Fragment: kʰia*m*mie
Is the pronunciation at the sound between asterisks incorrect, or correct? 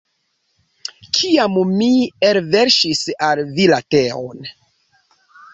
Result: correct